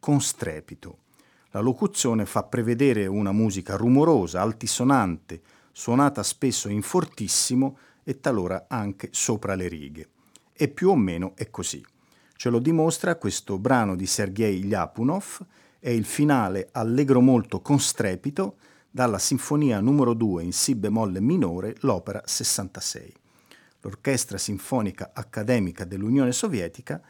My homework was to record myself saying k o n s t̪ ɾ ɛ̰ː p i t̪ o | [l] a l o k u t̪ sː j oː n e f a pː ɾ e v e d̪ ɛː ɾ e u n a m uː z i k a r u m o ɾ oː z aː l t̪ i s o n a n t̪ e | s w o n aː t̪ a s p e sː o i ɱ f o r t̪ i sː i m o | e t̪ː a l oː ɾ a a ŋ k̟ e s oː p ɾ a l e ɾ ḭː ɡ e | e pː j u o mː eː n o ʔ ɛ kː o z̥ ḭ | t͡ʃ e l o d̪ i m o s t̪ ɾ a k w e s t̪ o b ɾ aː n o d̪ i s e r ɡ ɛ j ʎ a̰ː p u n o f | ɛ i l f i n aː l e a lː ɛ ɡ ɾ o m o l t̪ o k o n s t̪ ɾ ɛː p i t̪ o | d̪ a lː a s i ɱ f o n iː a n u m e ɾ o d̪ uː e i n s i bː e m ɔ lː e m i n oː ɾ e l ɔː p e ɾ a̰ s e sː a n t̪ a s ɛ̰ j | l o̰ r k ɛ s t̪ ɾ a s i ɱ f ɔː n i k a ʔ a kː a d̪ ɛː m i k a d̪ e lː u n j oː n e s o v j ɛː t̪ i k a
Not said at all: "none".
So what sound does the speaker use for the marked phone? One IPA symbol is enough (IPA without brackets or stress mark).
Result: l